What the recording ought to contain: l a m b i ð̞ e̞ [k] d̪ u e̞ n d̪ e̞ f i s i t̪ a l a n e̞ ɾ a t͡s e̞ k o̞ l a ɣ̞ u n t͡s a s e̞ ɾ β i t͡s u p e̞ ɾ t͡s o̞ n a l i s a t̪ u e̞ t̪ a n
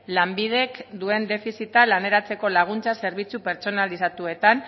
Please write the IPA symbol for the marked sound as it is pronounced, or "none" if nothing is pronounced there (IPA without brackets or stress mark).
k